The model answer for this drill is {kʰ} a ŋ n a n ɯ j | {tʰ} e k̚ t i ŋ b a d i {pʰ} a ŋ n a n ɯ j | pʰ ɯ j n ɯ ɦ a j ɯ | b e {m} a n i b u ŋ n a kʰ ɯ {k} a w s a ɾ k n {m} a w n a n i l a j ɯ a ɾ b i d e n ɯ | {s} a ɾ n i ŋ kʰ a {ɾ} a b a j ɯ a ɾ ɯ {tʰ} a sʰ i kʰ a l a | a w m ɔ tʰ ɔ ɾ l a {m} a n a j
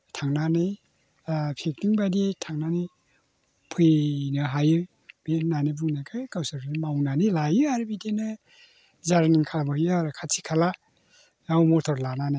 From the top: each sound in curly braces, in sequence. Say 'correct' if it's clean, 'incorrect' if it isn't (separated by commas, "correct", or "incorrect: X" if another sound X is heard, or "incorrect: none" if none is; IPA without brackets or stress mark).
incorrect: tʰ, incorrect: pʰ, incorrect: tʰ, incorrect: n, correct, correct, incorrect: z, incorrect: l, incorrect: kʰ, incorrect: n